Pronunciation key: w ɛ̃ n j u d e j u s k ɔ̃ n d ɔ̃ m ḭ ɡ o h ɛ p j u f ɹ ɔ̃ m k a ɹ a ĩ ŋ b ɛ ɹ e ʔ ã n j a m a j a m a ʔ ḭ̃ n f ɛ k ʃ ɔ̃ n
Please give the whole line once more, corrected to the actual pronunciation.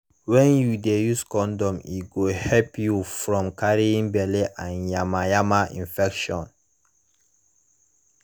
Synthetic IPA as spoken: w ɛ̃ n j u d e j u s k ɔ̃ n d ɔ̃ m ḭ ɡ o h ɛ p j u f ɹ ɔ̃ m k a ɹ i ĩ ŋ b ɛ l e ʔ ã n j a m a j a m a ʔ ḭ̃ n f ɛ k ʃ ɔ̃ n